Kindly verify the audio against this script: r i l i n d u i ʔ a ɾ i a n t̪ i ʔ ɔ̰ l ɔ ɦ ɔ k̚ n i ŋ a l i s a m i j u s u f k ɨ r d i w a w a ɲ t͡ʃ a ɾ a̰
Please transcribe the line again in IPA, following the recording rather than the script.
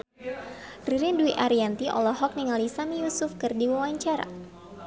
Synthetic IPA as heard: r i ɾ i n d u i ʔ a ɾ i a n t̪ i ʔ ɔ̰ l ɔ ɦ ɔ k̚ n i ŋ a l i s a m i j u s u f k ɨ r d i w a w a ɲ t͡ʃ a ɾ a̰